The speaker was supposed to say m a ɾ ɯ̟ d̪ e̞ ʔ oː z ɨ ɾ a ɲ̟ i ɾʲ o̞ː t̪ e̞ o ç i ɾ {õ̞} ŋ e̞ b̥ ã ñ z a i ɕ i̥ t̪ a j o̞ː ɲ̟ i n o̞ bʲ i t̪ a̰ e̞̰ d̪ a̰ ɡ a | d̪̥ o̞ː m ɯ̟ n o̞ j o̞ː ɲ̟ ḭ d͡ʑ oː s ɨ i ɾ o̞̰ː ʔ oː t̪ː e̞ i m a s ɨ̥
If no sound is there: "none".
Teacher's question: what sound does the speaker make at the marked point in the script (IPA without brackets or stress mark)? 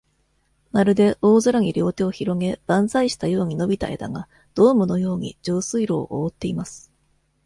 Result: o̞